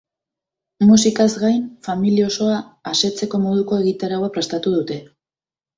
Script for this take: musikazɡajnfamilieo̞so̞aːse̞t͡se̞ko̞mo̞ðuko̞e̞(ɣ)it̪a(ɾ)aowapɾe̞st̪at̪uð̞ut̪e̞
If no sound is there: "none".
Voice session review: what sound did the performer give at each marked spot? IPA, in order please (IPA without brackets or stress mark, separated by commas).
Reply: ɣ, ɾ